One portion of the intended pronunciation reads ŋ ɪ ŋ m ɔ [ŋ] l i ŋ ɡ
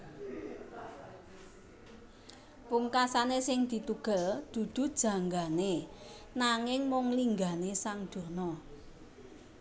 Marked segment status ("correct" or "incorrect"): correct